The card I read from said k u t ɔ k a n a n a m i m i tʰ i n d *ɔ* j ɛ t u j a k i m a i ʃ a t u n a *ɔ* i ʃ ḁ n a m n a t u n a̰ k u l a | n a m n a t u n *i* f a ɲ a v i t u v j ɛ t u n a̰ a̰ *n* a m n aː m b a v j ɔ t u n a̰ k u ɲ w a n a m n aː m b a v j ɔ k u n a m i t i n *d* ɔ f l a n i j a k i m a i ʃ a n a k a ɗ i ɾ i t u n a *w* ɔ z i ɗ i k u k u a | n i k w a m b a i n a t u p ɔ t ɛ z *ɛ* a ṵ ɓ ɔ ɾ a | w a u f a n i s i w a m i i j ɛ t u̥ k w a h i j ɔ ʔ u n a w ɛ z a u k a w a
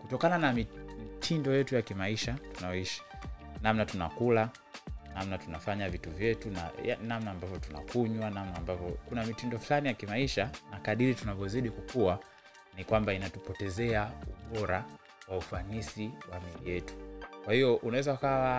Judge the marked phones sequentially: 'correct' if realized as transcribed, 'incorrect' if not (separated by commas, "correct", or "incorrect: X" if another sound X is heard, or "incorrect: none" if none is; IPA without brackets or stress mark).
correct, correct, incorrect: a, correct, correct, incorrect: v, correct